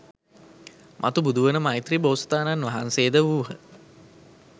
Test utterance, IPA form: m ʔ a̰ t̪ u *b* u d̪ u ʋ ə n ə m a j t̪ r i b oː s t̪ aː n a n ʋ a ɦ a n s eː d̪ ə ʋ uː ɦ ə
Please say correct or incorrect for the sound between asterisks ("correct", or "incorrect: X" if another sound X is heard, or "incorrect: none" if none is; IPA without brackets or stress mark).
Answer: correct